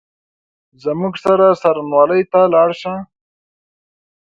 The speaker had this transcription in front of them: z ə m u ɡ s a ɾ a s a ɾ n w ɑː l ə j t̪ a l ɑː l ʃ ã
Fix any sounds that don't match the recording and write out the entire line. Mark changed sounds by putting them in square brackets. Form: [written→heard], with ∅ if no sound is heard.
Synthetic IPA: z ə m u ɡ s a ɾ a s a ɾ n w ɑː l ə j t̪ a l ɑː [l→ɽ] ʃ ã